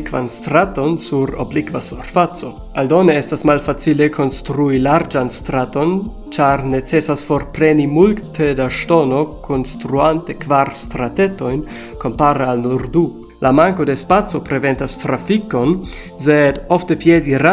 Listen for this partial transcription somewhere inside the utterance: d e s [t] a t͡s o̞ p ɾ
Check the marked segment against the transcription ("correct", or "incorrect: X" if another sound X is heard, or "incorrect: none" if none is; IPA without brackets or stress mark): incorrect: p